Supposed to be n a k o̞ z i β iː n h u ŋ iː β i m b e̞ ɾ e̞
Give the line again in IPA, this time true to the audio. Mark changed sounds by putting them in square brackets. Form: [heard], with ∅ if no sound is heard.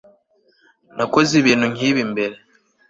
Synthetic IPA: n a k o̞ z i β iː n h u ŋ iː β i m b e̞ ɾ e̞